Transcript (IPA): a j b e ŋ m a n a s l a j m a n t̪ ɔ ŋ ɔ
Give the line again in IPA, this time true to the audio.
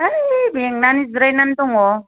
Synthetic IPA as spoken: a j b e ŋ n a n i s ɾ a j n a n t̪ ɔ ŋ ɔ